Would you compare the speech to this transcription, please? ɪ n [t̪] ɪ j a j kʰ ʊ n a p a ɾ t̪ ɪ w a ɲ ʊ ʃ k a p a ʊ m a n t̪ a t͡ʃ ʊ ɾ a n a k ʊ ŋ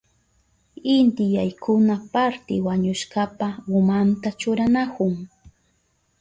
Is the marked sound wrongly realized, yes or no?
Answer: no